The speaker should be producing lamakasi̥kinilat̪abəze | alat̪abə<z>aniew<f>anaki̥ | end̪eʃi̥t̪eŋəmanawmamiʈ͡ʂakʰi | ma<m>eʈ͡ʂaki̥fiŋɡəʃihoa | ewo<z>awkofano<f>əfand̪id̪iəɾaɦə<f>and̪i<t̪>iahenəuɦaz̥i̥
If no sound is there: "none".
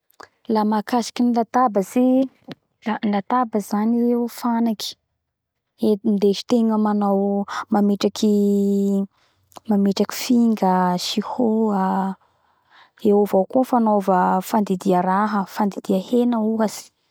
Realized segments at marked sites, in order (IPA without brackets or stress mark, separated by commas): z, f, m, v, v, f, d̪